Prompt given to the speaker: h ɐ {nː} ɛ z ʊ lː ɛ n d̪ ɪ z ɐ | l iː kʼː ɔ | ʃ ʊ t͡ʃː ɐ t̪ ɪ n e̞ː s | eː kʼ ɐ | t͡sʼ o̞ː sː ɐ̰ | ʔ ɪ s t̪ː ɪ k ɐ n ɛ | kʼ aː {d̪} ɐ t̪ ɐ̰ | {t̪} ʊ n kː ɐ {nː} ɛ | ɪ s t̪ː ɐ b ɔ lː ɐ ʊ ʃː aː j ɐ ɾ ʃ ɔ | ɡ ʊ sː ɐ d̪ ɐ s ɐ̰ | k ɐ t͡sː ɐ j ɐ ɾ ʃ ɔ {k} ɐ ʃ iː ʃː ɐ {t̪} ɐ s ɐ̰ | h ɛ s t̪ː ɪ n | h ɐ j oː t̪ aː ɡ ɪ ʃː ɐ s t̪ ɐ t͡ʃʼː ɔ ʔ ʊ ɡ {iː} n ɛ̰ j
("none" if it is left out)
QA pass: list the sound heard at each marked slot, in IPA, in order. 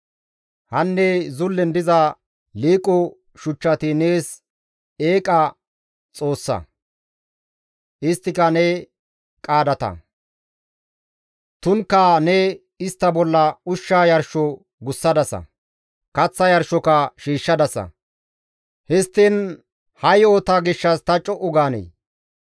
nː, d̪, t̪, n, k, d̪, aː

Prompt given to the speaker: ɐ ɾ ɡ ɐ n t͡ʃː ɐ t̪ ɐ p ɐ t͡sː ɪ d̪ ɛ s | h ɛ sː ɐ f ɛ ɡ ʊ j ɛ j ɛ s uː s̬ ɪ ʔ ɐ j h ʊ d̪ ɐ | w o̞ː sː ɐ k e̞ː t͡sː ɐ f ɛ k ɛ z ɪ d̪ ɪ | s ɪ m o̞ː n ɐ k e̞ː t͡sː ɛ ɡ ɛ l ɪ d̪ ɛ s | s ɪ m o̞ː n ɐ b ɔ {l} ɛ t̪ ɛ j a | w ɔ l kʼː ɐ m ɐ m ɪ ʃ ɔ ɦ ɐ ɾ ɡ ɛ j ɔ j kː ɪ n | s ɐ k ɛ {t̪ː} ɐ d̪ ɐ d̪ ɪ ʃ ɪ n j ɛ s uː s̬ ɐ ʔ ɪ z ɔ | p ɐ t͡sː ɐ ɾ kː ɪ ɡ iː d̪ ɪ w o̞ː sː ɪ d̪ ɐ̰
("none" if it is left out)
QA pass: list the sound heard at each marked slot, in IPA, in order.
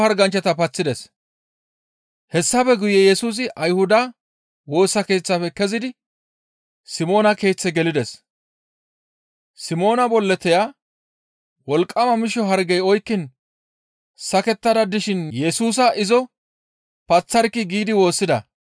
lː, t̪ː

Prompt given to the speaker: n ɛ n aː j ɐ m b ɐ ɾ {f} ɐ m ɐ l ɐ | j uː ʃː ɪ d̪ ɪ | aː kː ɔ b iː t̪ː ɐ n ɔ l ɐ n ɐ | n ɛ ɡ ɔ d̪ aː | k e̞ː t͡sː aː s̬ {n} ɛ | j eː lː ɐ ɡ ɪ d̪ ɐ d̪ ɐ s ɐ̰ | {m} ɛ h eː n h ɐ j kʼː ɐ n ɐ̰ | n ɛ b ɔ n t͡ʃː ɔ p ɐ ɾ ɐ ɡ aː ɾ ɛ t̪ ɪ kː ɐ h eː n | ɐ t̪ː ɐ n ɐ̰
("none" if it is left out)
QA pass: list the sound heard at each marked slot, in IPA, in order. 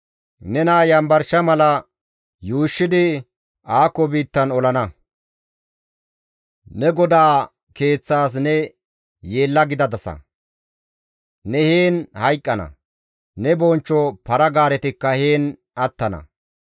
ʃ, n, n

